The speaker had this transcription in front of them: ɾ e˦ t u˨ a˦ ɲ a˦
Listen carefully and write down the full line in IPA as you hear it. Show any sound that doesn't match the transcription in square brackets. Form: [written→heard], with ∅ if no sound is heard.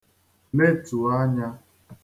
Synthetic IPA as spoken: [ɾ→l] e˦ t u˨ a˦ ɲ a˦